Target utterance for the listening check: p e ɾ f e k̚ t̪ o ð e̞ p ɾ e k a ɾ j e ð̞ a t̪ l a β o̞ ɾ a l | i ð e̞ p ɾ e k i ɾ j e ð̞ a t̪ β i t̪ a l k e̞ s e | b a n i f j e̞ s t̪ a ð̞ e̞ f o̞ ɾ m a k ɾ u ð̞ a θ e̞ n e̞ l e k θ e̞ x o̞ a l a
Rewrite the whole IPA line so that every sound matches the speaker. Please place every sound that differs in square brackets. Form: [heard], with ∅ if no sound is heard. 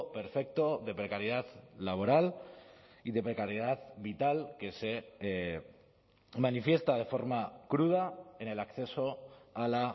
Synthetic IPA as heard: p e ɾ f e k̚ t̪ o ð e̞ p ɾ e k a ɾ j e ð̞ a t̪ l a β o̞ ɾ a l | i ð e̞ p ɾ e k [a] ɾ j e ð̞ a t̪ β i t̪ a l k e̞ s e | [m] a n i f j e̞ s t̪ a ð̞ e̞ f o̞ ɾ m a k ɾ u ð̞ a [∅] e̞ n e̞ l [a] k θ e̞ [s] o̞ a l a